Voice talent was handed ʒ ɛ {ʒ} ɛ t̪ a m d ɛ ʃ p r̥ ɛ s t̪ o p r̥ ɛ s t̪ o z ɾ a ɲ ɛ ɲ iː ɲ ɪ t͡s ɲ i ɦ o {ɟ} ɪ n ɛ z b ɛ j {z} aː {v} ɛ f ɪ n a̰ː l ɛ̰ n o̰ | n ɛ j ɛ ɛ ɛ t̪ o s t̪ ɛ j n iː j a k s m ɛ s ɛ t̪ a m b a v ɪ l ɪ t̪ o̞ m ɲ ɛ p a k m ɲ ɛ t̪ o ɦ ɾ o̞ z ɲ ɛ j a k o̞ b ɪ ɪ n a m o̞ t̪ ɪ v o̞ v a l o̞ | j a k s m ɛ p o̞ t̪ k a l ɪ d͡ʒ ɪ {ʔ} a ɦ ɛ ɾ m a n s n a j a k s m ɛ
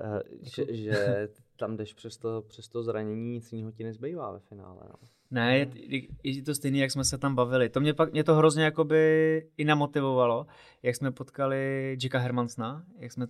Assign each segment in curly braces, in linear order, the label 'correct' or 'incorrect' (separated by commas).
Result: correct, incorrect, incorrect, correct, incorrect